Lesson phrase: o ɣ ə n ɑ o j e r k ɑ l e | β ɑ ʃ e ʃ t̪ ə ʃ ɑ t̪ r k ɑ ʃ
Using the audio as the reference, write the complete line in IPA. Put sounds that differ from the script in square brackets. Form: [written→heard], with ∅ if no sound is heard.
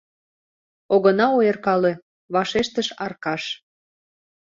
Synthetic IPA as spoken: o ɣ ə n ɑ o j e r k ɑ l e | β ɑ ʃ e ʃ t̪ ə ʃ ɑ [t̪→∅] r k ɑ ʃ